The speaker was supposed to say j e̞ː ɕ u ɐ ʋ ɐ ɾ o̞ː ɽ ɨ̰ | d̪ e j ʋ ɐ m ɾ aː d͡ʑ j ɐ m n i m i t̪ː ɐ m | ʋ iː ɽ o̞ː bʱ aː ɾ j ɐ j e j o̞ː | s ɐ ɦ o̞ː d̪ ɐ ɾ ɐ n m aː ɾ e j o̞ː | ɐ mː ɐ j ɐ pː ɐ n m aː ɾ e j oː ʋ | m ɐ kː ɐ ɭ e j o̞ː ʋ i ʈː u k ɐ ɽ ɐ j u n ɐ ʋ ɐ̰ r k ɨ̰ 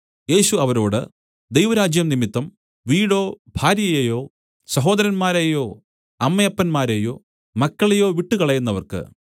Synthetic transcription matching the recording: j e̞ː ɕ u ɐ ʋ ɐ ɾ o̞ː ɽ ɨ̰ | d̪ e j ʋ ɐ ɾ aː d͡ʑ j ɐ m n i m i t̪ː ɐ m | ʋ iː ɽ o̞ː bʱ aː ɾ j ɐ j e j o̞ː | s ɐ ɦ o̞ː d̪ ɐ ɾ ɐ n m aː ɾ e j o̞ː | ɐ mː ɐ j ɐ pː ɐ n m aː ɾ e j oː | m ɐ kː ɐ ɭ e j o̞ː ʋ i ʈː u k ɐ ɭ ɐ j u nː ɐ ʋ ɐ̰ r k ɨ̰